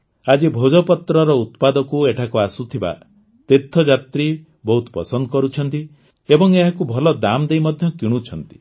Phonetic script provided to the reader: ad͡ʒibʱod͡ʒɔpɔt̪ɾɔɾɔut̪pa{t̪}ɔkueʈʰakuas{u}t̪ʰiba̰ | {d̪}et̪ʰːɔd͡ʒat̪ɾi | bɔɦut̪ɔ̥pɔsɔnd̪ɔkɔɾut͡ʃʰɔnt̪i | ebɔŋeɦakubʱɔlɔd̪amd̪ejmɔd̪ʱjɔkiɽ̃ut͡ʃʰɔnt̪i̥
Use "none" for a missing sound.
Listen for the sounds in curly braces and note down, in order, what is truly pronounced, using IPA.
d̪, u, t̪

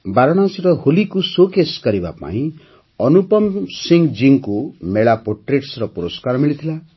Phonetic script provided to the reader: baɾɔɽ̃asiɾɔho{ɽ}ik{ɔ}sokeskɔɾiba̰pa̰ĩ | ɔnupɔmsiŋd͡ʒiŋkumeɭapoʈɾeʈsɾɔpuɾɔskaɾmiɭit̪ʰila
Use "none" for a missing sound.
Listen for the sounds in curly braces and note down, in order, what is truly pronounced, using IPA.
l, u

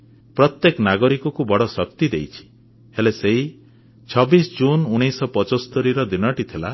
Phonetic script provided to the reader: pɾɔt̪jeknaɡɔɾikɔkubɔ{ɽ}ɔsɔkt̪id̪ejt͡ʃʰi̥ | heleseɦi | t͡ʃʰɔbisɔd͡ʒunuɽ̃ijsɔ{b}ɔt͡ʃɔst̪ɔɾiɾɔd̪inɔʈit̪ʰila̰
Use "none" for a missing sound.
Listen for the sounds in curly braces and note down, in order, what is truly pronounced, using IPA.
ɽ, p

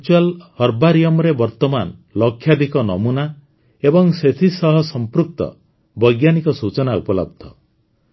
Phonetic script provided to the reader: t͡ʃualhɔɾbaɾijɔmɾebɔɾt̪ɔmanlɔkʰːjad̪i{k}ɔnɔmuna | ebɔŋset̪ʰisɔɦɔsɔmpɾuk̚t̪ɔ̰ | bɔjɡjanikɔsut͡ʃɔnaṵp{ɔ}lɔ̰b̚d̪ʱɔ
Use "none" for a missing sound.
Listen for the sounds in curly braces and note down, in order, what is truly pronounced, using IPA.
k, ɔ

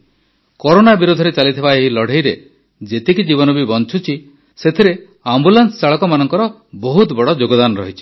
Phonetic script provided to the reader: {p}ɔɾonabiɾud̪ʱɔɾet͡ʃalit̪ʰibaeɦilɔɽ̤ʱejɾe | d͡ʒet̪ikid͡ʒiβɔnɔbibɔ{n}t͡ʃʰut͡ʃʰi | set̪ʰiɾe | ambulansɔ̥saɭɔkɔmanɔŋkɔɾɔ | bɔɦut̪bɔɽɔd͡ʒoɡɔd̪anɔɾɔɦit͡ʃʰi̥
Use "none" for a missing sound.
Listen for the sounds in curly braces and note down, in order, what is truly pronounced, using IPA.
k, n

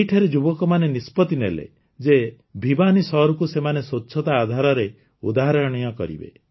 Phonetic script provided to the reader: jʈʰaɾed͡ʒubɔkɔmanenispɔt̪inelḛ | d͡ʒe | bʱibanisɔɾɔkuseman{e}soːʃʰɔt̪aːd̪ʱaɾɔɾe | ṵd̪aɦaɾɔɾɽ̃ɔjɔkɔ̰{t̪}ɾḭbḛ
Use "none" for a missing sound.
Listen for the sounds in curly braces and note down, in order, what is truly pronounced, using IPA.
e, none

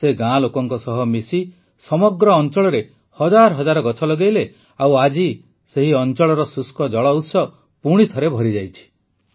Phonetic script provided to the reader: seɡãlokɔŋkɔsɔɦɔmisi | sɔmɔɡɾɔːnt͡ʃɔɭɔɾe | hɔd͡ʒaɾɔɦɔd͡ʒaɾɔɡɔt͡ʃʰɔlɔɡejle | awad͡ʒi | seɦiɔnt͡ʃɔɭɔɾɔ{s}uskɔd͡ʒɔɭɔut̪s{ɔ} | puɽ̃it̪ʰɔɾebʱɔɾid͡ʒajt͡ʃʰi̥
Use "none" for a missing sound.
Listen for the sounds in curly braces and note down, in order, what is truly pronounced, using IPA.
s, ɔ

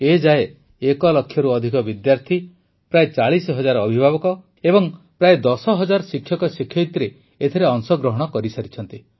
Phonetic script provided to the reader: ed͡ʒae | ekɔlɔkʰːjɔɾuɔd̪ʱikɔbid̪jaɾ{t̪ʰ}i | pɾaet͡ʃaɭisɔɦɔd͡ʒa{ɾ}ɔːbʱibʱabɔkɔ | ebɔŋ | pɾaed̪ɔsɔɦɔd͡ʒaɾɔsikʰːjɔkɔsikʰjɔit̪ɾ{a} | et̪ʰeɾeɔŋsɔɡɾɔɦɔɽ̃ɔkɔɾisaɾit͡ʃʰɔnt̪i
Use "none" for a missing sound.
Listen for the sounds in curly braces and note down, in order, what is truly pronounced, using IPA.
t̪ʰ, ɾ, e

